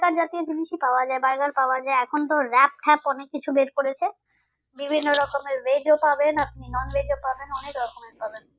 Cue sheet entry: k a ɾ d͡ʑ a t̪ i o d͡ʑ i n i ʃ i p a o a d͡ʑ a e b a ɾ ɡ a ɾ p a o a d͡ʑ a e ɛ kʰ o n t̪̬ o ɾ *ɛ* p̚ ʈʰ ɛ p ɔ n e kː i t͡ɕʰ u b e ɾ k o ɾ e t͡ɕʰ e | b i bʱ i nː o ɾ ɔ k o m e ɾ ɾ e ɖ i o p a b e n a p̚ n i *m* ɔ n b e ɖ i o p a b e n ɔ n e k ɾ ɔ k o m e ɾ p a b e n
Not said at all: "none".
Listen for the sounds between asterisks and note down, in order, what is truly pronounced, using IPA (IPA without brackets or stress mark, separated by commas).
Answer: ɛ, n